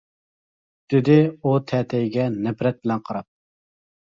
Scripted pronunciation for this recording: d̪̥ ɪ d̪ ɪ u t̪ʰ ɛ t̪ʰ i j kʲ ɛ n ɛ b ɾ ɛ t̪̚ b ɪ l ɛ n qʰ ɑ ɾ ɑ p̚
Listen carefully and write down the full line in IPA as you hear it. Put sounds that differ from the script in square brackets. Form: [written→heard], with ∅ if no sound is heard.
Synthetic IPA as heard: d̪̥ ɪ d̪ ɪ u t̪ʰ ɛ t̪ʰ [i→ɛ] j [kʲ→ɡʲ] ɛ n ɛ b ɾ ɛ t̪̚ b ɪ l ɛ n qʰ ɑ ɾ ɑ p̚